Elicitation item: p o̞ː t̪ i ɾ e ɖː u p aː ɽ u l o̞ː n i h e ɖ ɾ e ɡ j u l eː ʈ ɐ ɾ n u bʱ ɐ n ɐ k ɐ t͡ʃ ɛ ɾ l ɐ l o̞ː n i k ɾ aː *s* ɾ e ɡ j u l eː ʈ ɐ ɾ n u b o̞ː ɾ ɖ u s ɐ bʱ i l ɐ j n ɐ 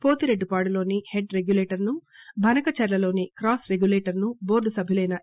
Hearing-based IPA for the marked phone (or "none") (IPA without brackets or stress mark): s